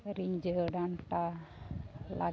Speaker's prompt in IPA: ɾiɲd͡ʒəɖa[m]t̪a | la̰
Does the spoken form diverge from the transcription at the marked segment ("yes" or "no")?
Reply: yes